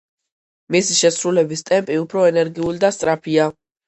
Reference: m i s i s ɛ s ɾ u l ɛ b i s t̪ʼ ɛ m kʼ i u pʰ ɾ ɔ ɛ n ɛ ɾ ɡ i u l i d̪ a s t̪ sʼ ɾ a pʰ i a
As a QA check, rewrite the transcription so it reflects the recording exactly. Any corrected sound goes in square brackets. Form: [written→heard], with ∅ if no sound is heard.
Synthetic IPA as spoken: m i s i [s→ʃ] ɛ s ɾ u l ɛ b i s t̪ʼ ɛ m [kʼ→pʼ] i u pʰ ɾ ɔ ɛ n ɛ ɾ ɡ i u l i d̪ a s t̪ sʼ ɾ a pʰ i a